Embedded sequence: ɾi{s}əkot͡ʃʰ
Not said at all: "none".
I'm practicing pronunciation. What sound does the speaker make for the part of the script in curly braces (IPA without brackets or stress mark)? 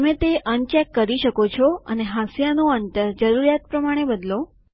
ʃ